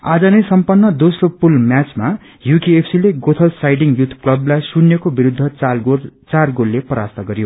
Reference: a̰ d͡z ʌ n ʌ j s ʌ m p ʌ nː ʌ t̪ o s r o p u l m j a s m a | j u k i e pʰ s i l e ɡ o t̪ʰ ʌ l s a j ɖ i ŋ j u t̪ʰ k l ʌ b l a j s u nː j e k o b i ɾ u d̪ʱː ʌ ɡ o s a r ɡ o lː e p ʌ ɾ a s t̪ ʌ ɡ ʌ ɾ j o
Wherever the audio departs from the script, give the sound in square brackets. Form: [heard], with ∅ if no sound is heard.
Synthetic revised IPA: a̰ d͡z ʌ n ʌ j s ʌ m p ʌ nː ʌ [d̪] o s r o p u l m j a [t͡s] m a | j u k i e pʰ s i l e ɡ o t̪ʰ ʌ l s a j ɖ i ŋ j u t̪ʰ k l ʌ b l a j s u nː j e k o b i ɾ u d̪ʱː ʌ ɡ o [t͡s] a r ɡ o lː e p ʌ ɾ a s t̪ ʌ ɡ ʌ ɾ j o